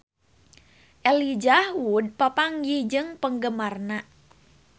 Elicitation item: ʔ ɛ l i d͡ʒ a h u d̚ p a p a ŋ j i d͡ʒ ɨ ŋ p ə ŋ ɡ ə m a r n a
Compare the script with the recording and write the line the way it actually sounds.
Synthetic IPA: ʔ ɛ l i d͡ʒ a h u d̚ p a p a ŋ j i d͡ʒ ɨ ŋ p ə ŋ ɡ ə m a r n a